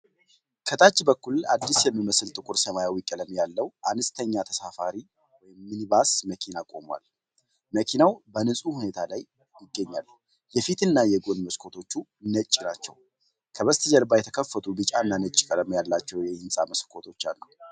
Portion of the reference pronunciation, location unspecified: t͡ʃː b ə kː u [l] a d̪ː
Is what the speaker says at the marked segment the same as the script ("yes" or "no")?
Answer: yes